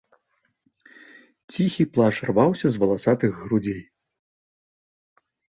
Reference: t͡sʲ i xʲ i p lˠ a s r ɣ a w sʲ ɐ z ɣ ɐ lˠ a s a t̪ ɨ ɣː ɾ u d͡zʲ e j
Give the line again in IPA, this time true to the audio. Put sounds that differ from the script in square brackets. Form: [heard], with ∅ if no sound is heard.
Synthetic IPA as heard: t͡sʲ i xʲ i p lˠ a [ʂ] r [v] a w sʲ ɐ z [v] ɐ lˠ a s a t̪ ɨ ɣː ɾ u d͡zʲ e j